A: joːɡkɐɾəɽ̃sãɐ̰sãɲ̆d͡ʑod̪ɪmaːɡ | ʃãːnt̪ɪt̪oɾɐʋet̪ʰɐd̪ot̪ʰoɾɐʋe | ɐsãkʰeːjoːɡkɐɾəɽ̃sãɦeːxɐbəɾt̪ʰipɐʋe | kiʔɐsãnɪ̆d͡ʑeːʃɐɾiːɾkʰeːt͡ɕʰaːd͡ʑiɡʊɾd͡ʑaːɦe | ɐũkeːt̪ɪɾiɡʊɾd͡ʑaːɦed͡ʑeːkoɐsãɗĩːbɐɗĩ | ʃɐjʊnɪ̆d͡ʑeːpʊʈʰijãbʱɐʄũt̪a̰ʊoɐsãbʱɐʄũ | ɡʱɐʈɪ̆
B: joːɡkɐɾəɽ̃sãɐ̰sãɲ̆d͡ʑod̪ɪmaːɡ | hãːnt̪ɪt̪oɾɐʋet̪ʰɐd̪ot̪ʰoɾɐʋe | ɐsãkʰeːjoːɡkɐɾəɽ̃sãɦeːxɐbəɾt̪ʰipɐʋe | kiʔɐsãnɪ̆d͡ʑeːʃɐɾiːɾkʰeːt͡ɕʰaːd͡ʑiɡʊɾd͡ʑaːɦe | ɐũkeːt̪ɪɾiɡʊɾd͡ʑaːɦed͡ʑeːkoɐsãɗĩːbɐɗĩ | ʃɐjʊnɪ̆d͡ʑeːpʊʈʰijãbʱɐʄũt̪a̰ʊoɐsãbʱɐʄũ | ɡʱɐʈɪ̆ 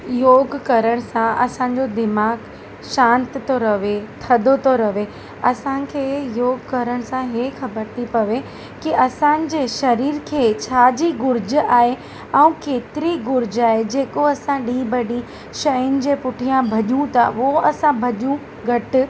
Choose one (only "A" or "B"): A